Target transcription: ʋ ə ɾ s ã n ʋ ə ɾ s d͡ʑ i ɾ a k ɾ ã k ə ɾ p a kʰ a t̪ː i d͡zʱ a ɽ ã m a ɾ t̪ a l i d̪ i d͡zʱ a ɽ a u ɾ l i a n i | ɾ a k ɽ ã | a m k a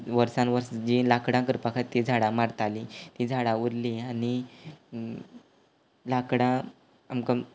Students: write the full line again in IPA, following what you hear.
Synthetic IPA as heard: ʋ ə ɾ s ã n ʋ ə ɾ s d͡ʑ i l a k ɽ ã k ə ɾ p a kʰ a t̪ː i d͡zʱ a ɽ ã m a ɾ t̪ a l i t̪ i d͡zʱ a ɽ a u ɾ l i a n i | l a k ɽ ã | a m k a